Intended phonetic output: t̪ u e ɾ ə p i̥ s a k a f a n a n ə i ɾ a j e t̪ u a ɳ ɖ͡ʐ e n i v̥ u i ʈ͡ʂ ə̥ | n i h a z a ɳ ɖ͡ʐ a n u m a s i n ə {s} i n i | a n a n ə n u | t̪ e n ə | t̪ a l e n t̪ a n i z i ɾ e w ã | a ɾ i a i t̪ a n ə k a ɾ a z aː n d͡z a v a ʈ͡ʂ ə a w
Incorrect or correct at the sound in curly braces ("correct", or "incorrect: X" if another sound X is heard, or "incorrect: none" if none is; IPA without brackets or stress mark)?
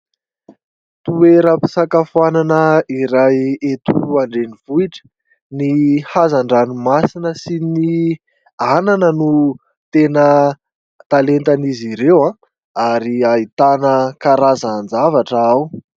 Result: correct